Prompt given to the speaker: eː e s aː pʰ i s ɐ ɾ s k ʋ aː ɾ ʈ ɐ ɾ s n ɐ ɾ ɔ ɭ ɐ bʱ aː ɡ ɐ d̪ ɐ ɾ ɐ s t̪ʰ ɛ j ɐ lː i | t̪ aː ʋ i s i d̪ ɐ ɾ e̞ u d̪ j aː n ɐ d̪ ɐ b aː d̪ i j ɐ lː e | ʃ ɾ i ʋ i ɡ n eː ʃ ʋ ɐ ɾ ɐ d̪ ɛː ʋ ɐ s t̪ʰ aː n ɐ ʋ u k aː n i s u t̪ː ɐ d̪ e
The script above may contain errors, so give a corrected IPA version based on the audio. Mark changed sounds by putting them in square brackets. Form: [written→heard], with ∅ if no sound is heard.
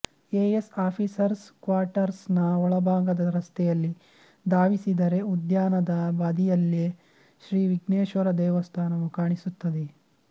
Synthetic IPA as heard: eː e s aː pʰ i s ɐ ɾ s k ʋ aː ɾ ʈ ɐ ɾ s n ɐ [ɾ→∅] ɔ ɭ ɐ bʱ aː ɡ ɐ d̪ ɐ ɾ ɐ s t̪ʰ ɛ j ɐ lː i | [t̪→d̪] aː ʋ i s i d̪ ɐ ɾ e̞ u d̪ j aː n ɐ d̪ ɐ b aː d̪ i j ɐ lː e | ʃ ɾ [i→iː] ʋ i ɡ n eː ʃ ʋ ɐ ɾ ɐ d̪ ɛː ʋ ɐ s t̪ʰ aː n ɐ ʋ u k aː [n→ɳ] i s u t̪ː ɐ d̪ e